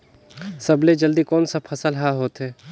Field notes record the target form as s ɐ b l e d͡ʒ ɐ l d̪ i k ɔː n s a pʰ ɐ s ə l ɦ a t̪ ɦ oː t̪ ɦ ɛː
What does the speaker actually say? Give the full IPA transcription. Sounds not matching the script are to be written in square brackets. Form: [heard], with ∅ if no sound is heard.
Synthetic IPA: s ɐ b l e d͡ʒ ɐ l d̪ i k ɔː n s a pʰ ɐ s ə l ɦ a [∅] ɦ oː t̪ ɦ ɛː